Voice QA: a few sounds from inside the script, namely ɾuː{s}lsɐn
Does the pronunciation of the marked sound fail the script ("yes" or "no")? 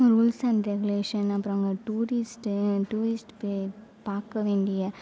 yes